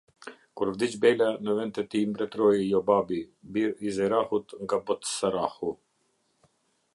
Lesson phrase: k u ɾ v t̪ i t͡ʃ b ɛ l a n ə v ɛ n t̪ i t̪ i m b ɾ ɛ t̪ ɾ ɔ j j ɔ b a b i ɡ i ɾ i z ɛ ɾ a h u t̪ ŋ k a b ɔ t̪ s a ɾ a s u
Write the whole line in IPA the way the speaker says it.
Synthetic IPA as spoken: k u ɾ v d̪ i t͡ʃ b ɛ l a n ə v ɛ n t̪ ɛ t̪ i m b ɾ ɛ t̪ ɾ ɔ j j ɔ b a b i b i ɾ i z ɛ ɾ a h u t̪ ŋ ɡ a b ɔ t̪ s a ɾ a h u